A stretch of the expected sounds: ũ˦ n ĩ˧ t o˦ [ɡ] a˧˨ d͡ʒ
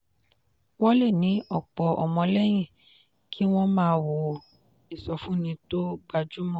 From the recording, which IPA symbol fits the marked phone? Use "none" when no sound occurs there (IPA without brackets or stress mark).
ɡ͡b